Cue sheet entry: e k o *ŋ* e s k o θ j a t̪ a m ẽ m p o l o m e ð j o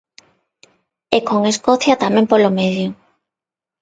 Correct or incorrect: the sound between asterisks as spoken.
correct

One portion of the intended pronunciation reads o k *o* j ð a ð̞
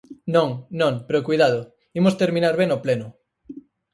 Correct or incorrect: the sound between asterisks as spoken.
incorrect: u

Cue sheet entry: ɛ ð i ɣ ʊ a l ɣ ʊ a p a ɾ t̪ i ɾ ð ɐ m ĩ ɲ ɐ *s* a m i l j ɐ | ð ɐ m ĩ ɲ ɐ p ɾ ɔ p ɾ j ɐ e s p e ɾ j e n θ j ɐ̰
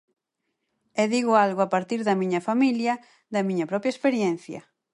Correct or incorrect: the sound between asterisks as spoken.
incorrect: f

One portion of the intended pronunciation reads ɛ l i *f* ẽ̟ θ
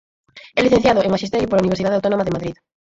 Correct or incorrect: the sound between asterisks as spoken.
incorrect: θ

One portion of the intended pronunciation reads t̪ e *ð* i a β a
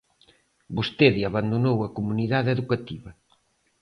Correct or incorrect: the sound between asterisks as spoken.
correct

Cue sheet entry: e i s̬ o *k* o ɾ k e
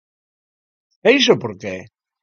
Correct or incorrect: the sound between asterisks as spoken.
incorrect: p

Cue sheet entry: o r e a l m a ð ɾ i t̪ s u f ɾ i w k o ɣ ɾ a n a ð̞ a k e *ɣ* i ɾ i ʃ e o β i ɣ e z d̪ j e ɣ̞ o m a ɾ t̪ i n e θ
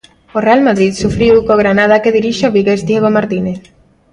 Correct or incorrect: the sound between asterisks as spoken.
incorrect: ð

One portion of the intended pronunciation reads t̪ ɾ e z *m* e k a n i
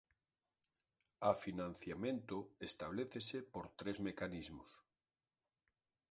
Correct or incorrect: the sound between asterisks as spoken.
correct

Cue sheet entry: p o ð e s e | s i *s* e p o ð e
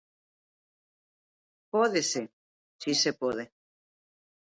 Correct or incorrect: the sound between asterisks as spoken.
correct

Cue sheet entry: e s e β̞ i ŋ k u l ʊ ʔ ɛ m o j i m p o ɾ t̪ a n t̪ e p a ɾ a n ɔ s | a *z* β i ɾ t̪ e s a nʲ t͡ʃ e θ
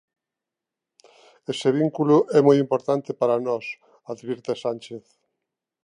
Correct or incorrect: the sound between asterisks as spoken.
incorrect: ð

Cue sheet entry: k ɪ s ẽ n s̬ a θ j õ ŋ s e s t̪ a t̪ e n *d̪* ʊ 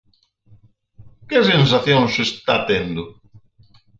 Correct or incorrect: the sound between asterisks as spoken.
correct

